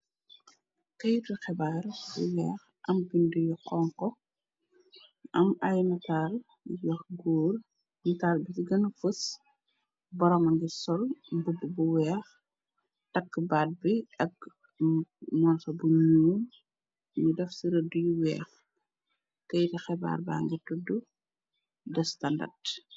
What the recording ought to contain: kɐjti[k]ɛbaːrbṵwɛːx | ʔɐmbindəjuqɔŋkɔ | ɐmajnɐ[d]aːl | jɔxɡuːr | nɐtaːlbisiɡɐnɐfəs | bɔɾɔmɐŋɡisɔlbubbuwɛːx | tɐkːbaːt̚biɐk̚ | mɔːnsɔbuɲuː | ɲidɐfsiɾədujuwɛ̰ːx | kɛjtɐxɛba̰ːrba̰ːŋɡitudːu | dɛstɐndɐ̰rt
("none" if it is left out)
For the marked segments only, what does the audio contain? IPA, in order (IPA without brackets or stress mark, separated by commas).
x, t